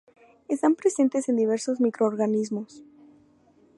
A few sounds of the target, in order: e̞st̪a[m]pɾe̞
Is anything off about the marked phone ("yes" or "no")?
no